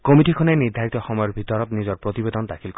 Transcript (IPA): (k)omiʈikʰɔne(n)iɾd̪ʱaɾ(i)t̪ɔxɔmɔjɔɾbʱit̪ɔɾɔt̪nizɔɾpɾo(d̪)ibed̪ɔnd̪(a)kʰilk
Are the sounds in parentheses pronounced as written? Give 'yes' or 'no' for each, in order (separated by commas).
yes, yes, yes, no, yes